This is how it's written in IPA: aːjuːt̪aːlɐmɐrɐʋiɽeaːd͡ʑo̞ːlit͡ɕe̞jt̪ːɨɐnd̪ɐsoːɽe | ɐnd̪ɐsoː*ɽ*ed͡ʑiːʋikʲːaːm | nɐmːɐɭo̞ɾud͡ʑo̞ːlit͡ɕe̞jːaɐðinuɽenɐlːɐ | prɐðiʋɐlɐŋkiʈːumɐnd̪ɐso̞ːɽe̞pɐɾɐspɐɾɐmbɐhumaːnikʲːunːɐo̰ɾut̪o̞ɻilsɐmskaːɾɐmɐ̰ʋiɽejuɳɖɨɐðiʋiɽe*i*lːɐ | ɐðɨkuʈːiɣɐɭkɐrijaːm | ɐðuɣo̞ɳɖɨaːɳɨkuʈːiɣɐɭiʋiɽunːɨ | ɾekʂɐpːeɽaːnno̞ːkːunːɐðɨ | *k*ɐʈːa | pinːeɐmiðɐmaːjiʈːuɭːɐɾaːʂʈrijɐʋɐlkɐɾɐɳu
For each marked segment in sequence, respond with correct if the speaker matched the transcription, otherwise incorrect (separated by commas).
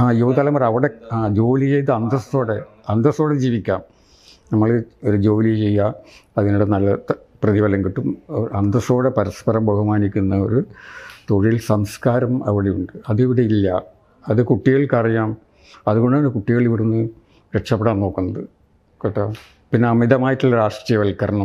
correct, correct, correct